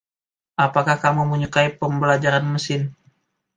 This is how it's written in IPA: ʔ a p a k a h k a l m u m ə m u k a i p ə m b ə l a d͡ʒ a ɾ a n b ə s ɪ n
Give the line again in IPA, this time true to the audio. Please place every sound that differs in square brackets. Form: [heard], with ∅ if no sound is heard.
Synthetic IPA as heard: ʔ a p a k a h k a [∅] m u m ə [ɲ] u k a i p ə m b ə l a d͡ʒ a ɾ a n [m] ə s ɪ n